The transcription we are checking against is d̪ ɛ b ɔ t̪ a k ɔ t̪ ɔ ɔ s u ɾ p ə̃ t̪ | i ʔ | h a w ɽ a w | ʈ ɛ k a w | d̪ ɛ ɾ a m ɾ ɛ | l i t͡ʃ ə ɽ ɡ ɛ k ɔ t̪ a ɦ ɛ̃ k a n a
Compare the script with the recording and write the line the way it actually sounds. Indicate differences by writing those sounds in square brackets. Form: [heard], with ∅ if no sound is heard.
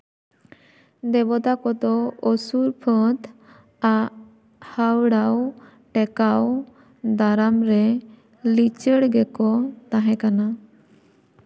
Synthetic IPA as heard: d̪ ɛ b ɔ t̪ a k ɔ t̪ ɔ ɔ s u ɾ [pʰ] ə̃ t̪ | [a] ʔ | h a w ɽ a w | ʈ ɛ k a w | d̪ [a] ɾ a m ɾ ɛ | l i t͡ʃ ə ɽ ɡ ɛ k ɔ t̪ a ɦ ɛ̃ k a n a